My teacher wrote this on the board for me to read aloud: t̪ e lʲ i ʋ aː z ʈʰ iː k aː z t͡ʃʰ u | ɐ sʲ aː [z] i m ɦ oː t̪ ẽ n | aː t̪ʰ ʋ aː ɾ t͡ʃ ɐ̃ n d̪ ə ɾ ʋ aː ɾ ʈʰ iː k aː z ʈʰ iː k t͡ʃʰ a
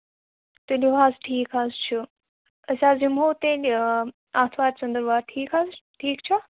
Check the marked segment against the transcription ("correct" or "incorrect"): correct